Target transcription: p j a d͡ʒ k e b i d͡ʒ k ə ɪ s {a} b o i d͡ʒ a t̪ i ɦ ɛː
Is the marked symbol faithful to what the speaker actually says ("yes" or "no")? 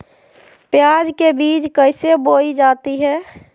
no